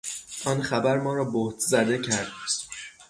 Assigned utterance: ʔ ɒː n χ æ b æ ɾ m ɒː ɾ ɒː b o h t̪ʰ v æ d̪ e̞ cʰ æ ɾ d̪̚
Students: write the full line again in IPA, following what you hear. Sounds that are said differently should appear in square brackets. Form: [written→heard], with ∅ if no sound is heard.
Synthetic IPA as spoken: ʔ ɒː n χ æ b æ ɾ m ɒː ɾ ɒː b o h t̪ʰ [v→z] æ d̪ e̞ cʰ æ ɾ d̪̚